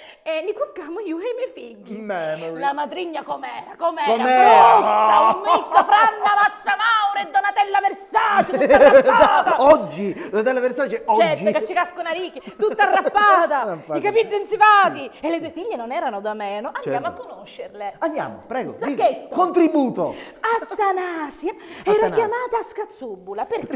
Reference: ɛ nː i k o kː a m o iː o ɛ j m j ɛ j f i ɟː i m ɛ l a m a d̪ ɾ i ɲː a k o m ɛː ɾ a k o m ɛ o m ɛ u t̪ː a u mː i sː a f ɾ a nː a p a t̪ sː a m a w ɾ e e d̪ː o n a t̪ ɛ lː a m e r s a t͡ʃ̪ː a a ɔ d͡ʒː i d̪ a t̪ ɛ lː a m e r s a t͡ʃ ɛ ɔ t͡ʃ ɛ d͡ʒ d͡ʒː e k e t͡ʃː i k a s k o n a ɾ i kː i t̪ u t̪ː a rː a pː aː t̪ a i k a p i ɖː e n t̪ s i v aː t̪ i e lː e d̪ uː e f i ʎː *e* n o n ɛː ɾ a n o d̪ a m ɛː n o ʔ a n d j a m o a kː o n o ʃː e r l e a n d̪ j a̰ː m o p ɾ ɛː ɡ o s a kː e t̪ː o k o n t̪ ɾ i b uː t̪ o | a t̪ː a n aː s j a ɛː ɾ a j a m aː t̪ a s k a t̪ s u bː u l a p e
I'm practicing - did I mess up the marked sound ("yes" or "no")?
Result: no